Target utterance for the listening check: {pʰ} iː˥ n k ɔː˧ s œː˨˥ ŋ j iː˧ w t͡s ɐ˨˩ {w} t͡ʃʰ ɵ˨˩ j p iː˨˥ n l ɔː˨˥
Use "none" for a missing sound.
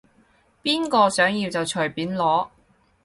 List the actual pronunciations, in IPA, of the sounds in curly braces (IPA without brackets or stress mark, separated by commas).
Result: p, w